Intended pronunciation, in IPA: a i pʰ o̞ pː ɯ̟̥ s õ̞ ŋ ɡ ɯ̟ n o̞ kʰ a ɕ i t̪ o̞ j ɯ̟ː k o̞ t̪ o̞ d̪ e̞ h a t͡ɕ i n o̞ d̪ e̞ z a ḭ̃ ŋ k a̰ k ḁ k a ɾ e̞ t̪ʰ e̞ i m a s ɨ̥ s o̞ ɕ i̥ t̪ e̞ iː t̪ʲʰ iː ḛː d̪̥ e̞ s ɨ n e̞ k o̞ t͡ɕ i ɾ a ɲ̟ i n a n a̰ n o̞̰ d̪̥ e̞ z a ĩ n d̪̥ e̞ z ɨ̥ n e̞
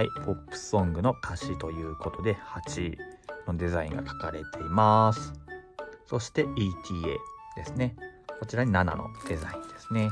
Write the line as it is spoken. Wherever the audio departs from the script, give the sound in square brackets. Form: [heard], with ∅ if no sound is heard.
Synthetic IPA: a i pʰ o̞ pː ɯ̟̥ s õ̞ ŋ ɡ ɯ̟ n o̞ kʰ a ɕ i t̪ o̞ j ɯ̟ː k o̞ t̪ o̞ d̪ e̞ h a t͡ɕ i n o̞ d̪ e̞ z a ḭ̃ ŋ [ɡ] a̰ k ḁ k a ɾ e̞ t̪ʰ e̞ i m a s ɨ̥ s o̞ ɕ i̥ t̪ e̞ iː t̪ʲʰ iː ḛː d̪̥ e̞ s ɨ n e̞ k o̞ t͡ɕ i ɾ a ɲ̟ i n a n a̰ n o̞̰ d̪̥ e̞ z a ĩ n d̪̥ e̞ [s] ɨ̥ n e̞